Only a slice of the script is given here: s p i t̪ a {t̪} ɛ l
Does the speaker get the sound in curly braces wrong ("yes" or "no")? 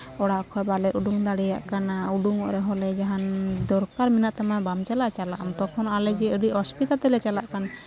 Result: no